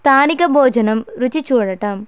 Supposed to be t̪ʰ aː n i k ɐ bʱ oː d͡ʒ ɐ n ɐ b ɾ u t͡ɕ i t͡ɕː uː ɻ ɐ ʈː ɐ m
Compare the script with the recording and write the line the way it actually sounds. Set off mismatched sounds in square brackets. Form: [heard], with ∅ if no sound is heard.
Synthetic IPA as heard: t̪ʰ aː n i k ɐ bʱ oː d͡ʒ ɐ n ɐ [m] ɾ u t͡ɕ i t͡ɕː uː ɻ ɐ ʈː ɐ m